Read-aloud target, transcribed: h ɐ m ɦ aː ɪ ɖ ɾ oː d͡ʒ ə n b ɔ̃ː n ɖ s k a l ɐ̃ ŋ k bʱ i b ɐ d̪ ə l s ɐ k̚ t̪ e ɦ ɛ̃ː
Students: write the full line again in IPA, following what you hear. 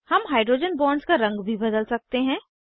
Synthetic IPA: h ɐ m ɦ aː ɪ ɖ ɾ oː d͡ʒ ə n b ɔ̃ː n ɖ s k a ɾ ɐ̃ ŋ ɡ bʱ i b ɐ d̪ ə l s ɐ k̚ t̪ e ɦ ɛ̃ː